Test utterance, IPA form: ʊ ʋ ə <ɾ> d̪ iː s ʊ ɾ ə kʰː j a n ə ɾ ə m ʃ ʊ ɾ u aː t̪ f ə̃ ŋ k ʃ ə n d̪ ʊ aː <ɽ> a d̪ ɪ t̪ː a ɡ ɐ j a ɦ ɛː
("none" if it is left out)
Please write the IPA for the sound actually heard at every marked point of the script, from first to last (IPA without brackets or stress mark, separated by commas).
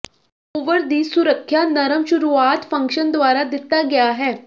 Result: ɾ, ɾ